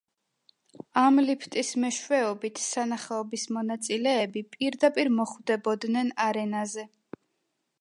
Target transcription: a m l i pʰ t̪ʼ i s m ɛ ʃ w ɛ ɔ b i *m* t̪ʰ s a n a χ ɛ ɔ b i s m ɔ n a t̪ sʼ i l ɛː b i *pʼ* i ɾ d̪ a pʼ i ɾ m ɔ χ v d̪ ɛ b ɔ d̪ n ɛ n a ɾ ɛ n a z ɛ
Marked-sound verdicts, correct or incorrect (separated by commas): incorrect, correct